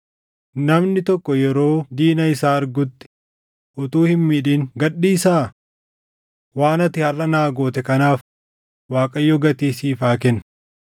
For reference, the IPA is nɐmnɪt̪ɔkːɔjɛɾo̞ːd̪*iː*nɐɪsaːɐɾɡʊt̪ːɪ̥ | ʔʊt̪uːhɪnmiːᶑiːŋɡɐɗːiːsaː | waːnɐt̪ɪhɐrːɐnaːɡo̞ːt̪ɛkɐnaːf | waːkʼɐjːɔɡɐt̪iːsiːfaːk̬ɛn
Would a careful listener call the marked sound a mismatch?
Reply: no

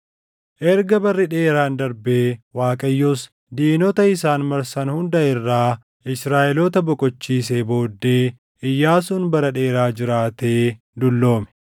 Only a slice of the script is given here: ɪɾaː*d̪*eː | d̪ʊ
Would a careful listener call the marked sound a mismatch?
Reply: yes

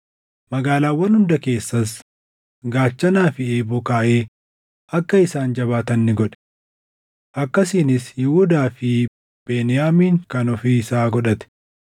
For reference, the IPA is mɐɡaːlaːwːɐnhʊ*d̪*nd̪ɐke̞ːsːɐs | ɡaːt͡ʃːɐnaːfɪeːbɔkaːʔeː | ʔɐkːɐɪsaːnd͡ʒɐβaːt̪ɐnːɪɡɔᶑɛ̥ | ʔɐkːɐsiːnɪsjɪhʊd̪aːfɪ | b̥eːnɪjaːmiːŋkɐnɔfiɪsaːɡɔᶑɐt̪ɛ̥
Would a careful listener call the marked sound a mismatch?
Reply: yes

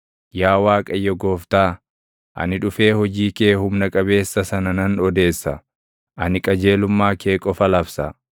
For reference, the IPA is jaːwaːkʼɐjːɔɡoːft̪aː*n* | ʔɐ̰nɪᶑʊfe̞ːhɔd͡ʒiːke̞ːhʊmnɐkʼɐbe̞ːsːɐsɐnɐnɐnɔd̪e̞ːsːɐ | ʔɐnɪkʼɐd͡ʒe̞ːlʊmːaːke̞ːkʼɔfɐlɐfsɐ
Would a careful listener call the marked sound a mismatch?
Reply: yes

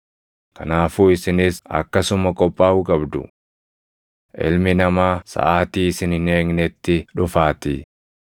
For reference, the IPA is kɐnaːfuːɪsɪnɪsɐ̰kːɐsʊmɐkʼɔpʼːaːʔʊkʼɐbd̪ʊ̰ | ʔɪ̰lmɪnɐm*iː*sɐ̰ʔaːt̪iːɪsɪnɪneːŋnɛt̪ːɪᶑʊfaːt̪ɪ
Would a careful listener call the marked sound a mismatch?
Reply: yes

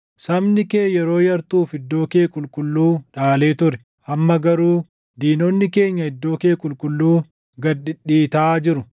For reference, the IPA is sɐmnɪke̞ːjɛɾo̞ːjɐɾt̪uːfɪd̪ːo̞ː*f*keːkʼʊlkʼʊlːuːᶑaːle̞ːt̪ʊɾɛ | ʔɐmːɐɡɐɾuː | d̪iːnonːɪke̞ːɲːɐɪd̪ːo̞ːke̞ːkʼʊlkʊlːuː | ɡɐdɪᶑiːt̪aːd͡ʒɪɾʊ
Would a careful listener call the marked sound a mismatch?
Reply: yes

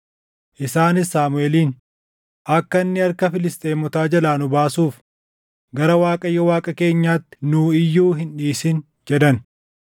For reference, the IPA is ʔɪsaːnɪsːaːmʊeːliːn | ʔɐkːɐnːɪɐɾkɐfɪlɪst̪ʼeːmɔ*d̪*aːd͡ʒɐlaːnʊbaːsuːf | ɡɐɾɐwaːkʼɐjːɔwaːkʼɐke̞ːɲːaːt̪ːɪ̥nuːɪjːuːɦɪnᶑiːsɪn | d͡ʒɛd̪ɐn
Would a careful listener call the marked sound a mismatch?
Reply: yes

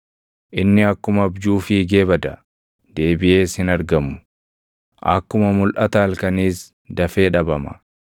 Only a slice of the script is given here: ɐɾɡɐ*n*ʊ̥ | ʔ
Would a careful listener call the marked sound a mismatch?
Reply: yes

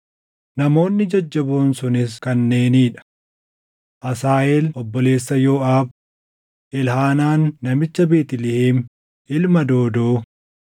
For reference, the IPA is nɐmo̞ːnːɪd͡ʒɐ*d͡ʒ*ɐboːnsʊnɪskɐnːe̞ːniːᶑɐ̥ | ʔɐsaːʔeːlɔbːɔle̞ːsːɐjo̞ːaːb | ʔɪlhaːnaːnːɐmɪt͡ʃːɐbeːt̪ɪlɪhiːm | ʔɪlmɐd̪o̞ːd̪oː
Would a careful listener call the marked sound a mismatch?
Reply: yes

